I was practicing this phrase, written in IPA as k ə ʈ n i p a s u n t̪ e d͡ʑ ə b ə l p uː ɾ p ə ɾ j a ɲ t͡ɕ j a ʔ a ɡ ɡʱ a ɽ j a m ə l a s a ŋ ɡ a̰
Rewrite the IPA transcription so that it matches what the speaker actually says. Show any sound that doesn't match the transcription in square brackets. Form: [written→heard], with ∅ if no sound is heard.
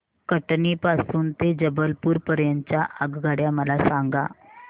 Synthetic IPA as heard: k ə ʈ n i p a s [u→uː] n t̪ e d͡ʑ ə b ə l p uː ɾ p ə ɾ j a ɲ t͡ɕ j a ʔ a ɡ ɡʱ a ɽ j a m ə l a s a ŋ ɡ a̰